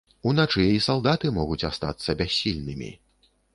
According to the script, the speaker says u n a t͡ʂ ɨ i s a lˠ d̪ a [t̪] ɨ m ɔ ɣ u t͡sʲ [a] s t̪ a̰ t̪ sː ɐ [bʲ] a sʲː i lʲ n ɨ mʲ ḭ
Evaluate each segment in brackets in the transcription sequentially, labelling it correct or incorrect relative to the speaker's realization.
correct, correct, correct

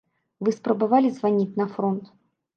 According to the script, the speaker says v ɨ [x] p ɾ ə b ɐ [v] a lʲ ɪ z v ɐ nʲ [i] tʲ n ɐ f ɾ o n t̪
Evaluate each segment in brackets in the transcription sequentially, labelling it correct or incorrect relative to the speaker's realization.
incorrect: s, correct, correct

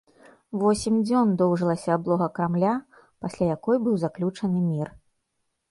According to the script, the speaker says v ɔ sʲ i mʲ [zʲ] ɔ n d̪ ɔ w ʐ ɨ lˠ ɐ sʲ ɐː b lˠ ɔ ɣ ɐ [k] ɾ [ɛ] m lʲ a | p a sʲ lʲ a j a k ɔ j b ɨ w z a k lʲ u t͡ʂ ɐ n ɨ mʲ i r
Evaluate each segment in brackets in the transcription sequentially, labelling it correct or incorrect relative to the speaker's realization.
incorrect: d͡zʲ, correct, incorrect: a

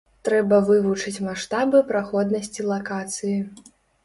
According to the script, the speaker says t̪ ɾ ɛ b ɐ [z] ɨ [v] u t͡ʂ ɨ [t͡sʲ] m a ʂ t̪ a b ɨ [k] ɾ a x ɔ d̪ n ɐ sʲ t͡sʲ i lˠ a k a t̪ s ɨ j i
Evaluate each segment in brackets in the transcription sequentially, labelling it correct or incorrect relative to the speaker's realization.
incorrect: v, correct, correct, incorrect: p

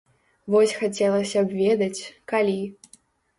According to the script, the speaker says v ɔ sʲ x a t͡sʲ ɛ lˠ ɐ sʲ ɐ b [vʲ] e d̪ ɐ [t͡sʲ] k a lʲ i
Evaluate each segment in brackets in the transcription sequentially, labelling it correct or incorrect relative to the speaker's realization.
correct, correct

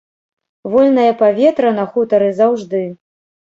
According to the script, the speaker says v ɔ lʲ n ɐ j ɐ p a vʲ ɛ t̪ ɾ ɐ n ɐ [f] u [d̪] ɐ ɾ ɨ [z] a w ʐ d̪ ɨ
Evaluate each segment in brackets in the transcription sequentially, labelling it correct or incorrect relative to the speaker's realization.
incorrect: x, incorrect: t̪, correct

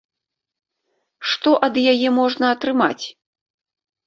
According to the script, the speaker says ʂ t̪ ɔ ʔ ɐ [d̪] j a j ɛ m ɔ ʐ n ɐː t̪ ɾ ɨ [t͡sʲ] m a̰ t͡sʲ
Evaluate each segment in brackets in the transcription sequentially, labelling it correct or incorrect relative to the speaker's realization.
correct, incorrect: none

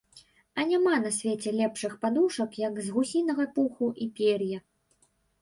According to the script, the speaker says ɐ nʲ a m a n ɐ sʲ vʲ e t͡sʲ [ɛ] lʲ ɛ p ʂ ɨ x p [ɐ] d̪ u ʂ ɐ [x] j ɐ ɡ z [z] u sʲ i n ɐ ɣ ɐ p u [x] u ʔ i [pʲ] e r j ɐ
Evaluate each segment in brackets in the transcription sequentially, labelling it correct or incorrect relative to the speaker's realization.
correct, incorrect: a, incorrect: k, incorrect: ɣ, correct, correct

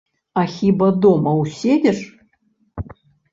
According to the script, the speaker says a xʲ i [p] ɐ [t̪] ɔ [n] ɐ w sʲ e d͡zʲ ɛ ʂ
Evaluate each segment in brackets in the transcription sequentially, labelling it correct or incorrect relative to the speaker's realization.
incorrect: b, incorrect: d̪, incorrect: m

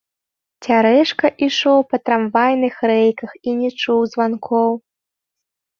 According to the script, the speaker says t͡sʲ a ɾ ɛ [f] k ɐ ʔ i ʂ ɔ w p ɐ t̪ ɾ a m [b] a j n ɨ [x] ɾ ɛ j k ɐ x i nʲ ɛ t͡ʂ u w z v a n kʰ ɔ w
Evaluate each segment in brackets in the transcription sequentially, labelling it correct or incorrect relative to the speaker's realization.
incorrect: ʂ, incorrect: v, correct

